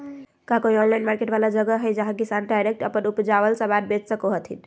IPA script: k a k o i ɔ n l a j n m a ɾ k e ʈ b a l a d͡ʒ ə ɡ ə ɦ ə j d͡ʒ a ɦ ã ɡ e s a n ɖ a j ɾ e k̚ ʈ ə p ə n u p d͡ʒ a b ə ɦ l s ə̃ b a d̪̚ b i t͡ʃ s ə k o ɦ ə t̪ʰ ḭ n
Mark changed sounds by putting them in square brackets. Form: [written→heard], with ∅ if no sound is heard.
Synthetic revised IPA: k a k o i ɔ n l a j n m a ɾ k e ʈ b a l a d͡ʒ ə ɡ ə ɦ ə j d͡ʒ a ɦ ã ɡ [e→i] s a n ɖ a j ɾ e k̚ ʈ ə p ə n u p d͡ʒ a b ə [ɦ→∅] l s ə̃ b a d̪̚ b [i→e] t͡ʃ s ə k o ɦ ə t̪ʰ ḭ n